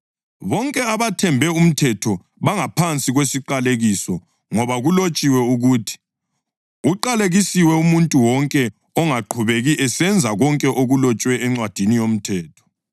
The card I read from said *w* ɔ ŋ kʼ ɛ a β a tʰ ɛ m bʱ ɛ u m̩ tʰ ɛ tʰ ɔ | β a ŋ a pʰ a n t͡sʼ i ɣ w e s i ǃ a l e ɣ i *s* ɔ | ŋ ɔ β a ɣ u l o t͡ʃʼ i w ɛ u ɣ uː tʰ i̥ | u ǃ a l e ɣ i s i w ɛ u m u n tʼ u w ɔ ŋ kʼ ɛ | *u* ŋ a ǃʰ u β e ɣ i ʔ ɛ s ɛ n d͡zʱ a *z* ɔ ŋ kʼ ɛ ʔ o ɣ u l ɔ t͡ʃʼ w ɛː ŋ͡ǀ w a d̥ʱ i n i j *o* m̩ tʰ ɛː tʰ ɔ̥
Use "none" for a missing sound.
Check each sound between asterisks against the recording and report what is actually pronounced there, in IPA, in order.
β, s, ɔ, ɣ, o

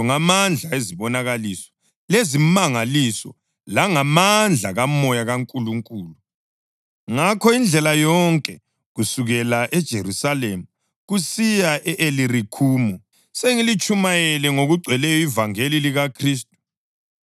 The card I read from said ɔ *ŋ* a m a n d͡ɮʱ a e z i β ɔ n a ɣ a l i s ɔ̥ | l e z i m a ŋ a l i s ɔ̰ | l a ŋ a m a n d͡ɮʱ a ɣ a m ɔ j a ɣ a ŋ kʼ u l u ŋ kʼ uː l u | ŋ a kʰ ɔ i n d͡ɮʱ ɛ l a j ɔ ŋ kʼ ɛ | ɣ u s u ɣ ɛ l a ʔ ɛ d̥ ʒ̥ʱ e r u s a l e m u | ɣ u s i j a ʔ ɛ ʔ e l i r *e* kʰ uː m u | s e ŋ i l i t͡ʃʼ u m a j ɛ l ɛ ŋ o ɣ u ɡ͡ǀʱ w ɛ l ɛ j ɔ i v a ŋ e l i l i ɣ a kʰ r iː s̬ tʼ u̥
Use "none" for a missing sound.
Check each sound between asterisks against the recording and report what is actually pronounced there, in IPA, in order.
ŋ, i

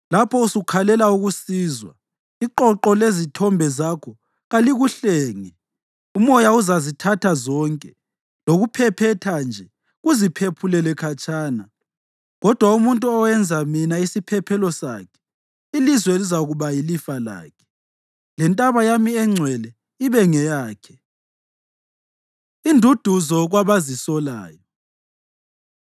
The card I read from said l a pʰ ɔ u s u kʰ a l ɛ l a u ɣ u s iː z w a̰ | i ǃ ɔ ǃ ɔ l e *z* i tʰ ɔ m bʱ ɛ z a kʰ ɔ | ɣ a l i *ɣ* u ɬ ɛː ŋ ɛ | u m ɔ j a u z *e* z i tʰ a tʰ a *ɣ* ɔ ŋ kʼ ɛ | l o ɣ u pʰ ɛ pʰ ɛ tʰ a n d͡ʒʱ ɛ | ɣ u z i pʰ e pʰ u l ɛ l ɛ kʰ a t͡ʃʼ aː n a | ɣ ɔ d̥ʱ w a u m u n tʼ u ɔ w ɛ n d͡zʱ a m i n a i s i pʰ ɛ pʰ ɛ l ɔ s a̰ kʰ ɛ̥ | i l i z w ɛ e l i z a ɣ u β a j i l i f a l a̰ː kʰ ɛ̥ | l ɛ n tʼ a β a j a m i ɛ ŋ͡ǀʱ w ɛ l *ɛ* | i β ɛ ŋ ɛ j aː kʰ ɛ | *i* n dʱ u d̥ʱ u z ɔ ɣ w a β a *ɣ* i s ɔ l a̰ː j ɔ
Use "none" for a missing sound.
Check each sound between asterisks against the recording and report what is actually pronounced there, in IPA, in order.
z, ɣ, a, z, ɛ, i, z

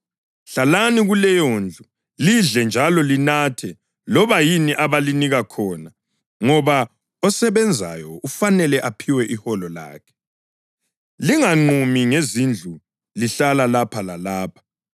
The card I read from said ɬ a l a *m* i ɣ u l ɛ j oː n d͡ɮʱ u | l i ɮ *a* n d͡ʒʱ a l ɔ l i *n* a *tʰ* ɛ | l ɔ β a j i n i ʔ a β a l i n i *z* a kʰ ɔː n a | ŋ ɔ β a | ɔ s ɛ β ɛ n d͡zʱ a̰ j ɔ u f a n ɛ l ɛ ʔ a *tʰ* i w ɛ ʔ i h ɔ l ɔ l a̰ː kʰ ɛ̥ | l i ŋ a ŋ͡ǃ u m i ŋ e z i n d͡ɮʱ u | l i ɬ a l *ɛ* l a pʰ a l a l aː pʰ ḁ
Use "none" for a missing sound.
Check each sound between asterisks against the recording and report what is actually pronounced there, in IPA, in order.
n, ɛ, n, tʰ, ɣ, pʰ, a

